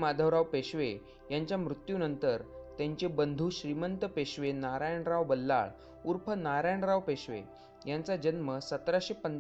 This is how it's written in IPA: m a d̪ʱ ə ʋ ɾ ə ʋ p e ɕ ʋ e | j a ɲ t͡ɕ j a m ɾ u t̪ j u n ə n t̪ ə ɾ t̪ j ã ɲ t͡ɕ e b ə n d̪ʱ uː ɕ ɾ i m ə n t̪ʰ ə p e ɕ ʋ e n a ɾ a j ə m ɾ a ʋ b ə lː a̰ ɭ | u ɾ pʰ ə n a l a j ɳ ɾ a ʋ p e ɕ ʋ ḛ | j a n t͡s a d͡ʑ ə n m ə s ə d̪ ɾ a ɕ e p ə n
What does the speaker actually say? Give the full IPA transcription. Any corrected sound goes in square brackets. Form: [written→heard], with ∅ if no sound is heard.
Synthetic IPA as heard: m a d̪ʱ ə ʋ ɾ [ə→a] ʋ p e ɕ ʋ e | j a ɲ t͡ɕ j a m ɾ u t̪ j u n ə n t̪ ə ɾ t̪ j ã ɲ t͡ɕ e b ə n d̪ʱ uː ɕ ɾ i m ə n [t̪ʰ→t̪] ə p e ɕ ʋ e n a ɾ a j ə [m→ɳ] ɾ a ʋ b ə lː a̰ ɭ | u ɾ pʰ ə n a [l→ɾ] a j ɳ ɾ a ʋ p e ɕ ʋ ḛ | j a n t͡s a d͡ʑ ə n m ə s ə [d̪→t̪] ɾ a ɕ e p ə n